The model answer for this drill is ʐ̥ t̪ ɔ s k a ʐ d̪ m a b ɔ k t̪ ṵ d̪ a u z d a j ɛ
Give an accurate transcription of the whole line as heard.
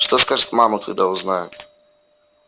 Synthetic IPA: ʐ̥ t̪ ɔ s k a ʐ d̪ m a m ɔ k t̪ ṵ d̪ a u z n a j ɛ